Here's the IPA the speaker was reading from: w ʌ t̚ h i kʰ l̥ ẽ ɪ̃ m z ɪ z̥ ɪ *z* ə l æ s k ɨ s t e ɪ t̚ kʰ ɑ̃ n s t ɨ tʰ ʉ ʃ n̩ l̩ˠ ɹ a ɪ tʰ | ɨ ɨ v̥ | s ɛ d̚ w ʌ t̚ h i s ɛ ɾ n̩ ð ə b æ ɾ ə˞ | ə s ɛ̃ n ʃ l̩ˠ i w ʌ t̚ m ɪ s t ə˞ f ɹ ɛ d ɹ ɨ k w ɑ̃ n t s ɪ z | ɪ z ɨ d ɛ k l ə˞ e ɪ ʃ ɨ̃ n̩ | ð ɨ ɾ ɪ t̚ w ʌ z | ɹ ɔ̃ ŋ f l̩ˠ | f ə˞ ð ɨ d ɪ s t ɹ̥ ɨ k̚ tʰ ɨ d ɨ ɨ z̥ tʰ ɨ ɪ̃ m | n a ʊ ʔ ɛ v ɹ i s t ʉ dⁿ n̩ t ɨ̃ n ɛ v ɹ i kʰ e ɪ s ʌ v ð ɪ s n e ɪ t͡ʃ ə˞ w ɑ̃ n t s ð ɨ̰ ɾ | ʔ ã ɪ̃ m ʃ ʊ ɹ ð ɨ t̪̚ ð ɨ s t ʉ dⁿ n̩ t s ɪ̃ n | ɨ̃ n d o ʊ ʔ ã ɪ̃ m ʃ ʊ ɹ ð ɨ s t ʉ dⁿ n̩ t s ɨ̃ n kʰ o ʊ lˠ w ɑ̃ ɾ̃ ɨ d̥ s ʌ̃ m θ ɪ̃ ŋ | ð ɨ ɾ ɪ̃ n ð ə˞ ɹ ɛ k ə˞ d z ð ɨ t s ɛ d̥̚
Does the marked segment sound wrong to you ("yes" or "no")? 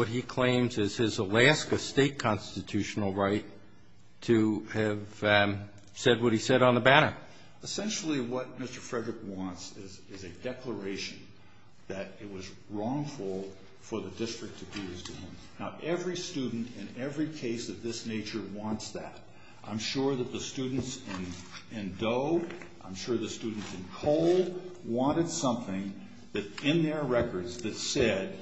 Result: no